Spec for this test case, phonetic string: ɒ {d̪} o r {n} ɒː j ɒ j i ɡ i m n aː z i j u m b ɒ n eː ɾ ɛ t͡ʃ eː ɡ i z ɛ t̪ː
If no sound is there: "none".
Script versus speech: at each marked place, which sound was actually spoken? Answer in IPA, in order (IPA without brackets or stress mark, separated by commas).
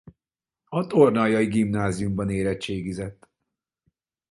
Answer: t̪, n